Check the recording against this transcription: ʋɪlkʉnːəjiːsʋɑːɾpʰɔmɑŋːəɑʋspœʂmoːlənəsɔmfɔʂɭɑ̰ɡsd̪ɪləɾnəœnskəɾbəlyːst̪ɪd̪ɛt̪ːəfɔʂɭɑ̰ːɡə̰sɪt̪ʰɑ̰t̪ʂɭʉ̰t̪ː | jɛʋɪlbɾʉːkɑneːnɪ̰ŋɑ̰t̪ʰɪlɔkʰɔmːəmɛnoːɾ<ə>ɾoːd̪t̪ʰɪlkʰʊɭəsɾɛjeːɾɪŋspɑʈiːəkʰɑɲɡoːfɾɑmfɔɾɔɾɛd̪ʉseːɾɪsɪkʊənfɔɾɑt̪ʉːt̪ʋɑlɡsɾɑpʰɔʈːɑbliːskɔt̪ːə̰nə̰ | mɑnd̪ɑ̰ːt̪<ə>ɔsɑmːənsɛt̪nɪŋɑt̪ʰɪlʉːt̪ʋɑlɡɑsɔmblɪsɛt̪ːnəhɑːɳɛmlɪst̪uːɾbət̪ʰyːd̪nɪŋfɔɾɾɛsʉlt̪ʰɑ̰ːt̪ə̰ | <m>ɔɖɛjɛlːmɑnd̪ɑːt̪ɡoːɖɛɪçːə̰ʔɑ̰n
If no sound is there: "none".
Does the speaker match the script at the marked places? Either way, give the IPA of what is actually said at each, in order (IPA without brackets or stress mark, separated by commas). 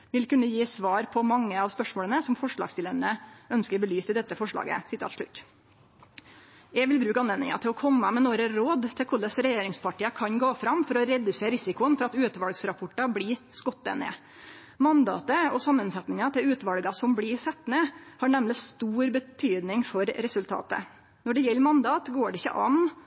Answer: ə, ə, n